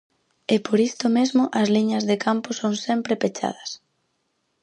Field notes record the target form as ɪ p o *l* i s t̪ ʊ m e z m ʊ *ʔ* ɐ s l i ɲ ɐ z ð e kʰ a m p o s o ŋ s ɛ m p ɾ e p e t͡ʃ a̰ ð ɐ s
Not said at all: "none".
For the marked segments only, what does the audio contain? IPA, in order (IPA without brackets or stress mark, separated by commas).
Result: ɾ, ʔ